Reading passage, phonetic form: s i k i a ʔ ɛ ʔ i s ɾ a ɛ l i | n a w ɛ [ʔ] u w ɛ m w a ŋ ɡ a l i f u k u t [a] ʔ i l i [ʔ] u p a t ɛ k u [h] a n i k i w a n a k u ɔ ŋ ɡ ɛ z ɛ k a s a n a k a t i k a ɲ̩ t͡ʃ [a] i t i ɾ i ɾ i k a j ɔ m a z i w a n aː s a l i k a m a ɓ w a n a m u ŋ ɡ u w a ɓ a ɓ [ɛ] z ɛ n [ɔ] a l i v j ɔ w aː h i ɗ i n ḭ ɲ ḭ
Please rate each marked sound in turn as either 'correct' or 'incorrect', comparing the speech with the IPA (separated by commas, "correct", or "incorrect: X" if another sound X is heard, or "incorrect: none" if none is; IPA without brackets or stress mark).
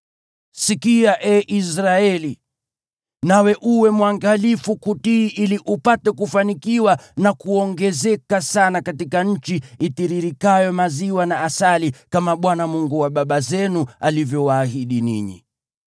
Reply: correct, incorrect: i, correct, incorrect: f, incorrect: i, incorrect: a, incorrect: u